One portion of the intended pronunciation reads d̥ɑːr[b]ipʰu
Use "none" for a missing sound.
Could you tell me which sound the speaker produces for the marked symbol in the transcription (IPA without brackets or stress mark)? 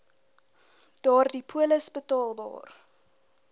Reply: d